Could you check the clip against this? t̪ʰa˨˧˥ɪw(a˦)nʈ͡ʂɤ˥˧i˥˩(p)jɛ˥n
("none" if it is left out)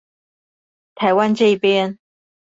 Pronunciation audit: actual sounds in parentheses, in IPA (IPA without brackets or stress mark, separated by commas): a˦, p